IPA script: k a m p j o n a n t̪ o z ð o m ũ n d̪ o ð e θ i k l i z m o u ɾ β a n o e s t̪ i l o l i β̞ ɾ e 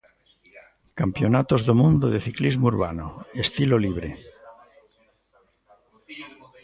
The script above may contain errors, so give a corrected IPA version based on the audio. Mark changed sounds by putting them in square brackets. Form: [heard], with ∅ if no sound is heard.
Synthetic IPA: k a m p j o n a [∅] t̪ o z ð o m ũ n d̪ o ð e θ i k l i z m o u ɾ β a n o e s t̪ i l o l i β̞ ɾ e